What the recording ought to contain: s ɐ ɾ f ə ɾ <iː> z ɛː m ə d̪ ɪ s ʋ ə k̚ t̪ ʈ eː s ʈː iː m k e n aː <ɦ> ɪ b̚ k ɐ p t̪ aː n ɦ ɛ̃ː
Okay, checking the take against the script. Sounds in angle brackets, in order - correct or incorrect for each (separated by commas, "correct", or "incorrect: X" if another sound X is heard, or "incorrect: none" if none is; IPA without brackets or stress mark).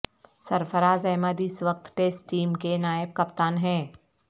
incorrect: aː, incorrect: none